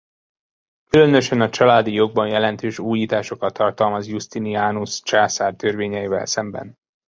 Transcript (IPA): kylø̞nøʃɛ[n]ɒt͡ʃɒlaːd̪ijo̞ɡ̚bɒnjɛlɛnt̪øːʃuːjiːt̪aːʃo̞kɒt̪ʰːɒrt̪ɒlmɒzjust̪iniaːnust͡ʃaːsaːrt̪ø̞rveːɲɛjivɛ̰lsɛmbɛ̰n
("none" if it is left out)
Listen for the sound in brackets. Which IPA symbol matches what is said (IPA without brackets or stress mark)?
n